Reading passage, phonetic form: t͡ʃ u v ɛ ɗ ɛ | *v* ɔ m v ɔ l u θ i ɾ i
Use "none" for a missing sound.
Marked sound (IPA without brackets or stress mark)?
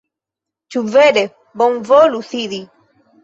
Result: b